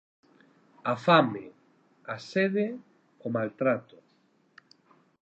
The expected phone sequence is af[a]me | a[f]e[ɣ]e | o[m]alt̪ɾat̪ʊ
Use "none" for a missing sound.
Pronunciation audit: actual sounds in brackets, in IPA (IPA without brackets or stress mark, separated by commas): a, s, ð, m